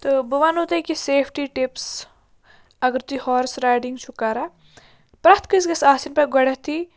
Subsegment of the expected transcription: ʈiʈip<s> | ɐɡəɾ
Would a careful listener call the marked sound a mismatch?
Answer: no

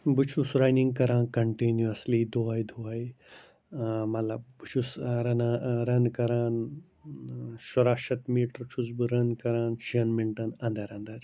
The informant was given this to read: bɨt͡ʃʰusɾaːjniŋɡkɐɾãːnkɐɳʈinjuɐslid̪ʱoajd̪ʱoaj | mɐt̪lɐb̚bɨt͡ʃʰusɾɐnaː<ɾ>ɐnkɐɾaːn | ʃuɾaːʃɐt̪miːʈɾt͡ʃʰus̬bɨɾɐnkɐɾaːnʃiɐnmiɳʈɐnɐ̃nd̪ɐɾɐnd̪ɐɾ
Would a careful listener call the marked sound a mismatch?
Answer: no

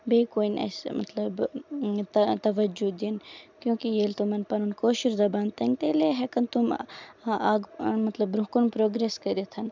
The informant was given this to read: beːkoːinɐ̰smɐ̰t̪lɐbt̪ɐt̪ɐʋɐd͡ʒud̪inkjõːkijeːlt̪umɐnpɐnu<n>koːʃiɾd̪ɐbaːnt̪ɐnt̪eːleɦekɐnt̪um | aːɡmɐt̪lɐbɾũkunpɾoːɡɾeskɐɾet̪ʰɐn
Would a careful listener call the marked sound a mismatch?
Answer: no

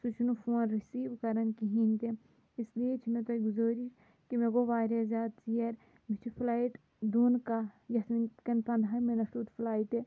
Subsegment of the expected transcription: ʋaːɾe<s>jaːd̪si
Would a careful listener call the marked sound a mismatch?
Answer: yes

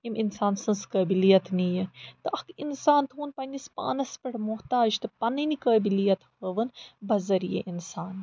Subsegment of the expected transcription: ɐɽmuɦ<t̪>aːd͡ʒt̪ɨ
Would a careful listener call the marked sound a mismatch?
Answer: no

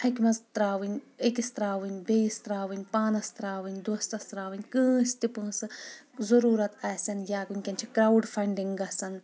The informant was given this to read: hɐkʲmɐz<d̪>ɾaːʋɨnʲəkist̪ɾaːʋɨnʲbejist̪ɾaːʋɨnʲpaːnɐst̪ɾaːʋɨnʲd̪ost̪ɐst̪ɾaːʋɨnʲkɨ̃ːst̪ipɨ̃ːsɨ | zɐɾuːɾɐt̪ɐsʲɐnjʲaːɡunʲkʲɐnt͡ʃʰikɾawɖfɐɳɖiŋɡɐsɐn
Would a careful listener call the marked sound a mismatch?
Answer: yes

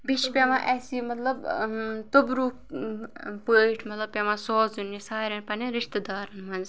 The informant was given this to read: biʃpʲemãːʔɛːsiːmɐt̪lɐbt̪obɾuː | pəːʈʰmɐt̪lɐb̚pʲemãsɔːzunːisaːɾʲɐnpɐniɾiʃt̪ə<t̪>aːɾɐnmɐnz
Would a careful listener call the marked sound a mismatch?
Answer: yes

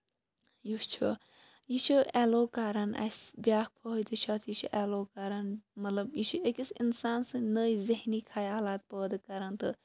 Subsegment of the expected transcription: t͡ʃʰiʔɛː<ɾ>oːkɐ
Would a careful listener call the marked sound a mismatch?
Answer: yes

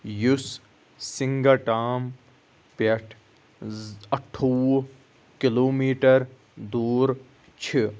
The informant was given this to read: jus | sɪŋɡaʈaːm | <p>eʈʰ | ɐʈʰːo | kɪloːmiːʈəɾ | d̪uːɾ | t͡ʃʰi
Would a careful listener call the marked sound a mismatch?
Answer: no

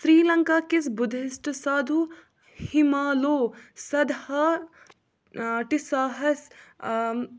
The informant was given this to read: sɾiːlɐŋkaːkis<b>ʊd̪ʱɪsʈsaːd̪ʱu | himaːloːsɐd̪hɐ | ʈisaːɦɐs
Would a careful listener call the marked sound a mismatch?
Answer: no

